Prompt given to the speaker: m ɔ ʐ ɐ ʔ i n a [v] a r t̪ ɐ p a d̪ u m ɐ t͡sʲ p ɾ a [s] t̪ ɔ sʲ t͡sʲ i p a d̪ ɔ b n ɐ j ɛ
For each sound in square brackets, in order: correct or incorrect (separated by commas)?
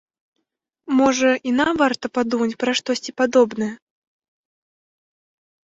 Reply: correct, incorrect